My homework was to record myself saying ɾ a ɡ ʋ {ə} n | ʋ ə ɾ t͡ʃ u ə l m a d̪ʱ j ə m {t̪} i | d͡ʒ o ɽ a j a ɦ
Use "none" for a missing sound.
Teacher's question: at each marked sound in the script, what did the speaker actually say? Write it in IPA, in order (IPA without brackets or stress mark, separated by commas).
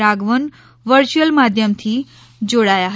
ə, t̪ʰ